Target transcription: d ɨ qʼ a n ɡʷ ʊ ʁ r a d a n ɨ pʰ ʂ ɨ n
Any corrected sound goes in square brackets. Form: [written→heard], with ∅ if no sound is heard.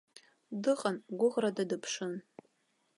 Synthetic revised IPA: d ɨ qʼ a n ɡʷ ʊ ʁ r a d a [n→d] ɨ pʰ ʂ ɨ n